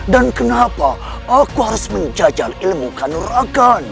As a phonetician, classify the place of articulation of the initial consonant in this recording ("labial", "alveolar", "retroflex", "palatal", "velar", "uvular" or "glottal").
alveolar